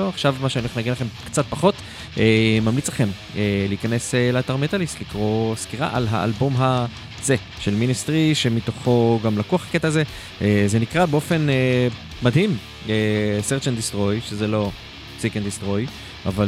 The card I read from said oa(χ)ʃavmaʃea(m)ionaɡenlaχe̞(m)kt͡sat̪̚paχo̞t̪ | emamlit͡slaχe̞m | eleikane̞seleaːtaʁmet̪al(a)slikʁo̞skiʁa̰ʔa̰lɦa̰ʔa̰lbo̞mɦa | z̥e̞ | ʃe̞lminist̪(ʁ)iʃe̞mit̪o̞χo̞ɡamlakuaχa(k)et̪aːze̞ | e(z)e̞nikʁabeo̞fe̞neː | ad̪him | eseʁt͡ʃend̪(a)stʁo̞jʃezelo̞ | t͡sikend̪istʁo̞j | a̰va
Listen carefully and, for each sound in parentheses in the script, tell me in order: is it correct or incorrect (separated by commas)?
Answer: correct, incorrect, correct, incorrect, correct, correct, correct, incorrect